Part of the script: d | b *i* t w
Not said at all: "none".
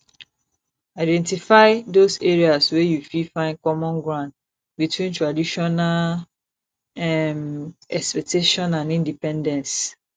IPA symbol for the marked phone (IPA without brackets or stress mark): i